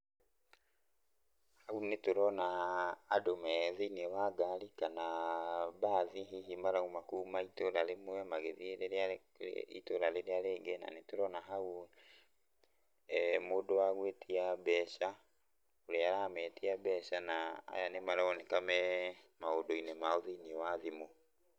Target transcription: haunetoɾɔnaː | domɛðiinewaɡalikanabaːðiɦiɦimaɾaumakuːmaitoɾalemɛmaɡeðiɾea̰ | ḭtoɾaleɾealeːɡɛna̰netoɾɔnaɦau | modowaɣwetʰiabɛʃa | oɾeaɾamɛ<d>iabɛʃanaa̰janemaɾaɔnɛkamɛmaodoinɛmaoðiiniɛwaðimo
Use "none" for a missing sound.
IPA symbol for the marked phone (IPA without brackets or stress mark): t